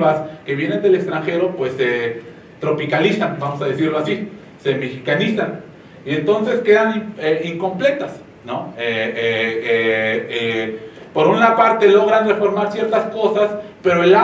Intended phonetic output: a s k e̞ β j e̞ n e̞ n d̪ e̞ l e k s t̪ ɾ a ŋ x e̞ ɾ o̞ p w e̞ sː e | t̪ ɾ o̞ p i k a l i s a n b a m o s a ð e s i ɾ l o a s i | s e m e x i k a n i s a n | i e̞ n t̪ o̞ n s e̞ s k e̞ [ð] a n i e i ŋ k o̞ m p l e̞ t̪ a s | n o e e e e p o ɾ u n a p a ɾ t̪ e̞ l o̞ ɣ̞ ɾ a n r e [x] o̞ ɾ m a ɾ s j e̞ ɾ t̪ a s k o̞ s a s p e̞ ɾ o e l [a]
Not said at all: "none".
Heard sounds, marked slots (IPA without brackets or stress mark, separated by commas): ð, f, a